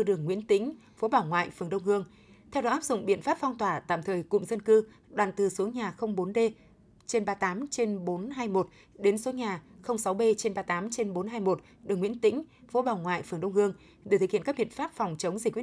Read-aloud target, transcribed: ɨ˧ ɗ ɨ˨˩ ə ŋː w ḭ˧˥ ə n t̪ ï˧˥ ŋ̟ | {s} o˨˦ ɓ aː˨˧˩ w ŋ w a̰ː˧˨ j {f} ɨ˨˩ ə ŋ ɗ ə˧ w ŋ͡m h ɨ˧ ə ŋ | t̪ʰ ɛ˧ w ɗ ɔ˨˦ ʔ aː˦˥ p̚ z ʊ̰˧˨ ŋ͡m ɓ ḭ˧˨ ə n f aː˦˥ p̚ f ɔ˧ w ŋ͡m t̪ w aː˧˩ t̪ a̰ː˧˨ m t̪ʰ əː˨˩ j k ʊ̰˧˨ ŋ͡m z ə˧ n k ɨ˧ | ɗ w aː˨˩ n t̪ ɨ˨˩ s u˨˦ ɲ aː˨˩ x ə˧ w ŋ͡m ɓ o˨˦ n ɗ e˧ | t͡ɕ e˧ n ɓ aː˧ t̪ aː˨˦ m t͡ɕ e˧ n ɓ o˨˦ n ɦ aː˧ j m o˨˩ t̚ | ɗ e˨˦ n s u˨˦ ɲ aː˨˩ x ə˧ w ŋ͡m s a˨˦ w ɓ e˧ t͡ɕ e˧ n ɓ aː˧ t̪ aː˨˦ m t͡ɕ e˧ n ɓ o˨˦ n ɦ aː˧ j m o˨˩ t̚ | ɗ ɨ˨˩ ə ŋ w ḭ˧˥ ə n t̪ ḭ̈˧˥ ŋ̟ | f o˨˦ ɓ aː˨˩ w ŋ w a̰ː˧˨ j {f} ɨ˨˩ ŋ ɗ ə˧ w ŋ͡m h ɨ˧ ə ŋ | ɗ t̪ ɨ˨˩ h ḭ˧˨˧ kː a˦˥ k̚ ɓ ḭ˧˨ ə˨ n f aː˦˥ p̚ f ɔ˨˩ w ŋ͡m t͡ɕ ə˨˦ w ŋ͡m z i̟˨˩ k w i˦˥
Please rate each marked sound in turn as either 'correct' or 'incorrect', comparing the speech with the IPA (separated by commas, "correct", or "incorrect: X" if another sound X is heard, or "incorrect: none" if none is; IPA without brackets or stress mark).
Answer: incorrect: f, correct, correct